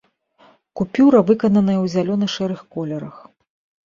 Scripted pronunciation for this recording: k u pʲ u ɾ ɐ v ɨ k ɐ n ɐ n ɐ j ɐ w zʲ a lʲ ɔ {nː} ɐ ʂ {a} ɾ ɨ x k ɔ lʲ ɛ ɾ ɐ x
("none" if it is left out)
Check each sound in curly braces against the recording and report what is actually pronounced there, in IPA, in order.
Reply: n, ɛ

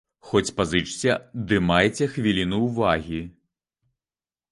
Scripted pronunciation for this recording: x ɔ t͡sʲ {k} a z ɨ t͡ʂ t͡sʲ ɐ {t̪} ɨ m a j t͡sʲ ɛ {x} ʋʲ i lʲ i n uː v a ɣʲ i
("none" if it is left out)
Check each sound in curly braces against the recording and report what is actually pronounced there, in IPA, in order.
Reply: p, d̪, x

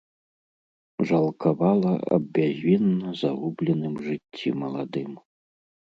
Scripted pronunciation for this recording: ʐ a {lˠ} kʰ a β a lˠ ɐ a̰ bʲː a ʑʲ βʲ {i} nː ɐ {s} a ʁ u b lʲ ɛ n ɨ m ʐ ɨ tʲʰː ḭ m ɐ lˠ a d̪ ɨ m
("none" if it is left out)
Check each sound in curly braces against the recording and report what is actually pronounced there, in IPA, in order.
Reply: lˠ, i, z

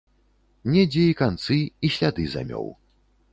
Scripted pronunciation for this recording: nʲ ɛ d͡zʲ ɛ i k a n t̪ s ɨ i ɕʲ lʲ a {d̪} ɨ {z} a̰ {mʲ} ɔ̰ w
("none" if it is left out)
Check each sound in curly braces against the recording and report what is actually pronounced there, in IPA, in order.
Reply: d̪, z, mʲ

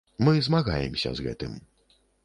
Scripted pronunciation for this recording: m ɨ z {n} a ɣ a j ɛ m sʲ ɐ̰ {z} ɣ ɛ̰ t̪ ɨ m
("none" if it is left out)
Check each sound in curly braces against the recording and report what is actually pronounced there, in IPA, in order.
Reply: m, z

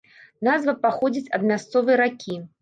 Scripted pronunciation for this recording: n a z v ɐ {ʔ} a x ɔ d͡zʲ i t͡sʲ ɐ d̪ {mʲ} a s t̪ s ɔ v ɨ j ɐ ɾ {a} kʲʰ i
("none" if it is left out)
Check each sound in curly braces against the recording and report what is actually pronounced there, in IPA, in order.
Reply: p, mʲ, a

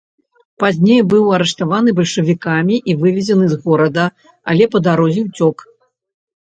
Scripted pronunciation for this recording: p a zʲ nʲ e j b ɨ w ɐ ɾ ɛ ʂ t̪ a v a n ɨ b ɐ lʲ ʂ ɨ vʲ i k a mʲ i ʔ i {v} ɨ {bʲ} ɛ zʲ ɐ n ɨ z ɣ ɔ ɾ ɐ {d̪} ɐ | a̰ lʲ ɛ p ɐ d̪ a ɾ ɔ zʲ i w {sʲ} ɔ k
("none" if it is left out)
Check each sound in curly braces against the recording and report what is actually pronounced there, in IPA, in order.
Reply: v, vʲ, d̪, t͡sʲ

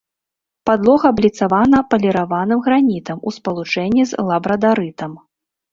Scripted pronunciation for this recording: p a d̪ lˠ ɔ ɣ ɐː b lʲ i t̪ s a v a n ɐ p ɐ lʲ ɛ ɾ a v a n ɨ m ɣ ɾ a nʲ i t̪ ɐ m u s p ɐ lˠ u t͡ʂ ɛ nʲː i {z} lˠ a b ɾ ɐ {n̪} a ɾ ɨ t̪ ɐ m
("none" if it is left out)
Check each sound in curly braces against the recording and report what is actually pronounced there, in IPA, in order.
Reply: z, d̪

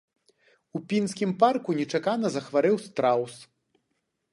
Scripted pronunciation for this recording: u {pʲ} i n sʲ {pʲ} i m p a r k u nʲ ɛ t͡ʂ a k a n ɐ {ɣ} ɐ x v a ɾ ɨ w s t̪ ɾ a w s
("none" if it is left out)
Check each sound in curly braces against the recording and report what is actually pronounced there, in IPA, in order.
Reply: pʲ, kʲ, z

